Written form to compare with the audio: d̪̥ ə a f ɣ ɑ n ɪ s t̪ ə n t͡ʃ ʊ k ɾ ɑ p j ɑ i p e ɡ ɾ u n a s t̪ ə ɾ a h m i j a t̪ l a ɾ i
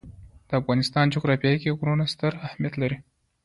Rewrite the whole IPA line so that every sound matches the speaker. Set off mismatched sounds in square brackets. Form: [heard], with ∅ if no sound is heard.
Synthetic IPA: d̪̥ ə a f ɣ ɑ n ɪ s t̪ [ɑ] n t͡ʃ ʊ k ɾ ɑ p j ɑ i [k] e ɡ ɾ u n a s t̪ ə ɾ a h m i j a t̪ l a ɾ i